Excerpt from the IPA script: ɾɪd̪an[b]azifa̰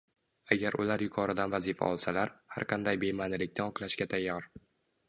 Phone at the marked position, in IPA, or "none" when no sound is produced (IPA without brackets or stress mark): v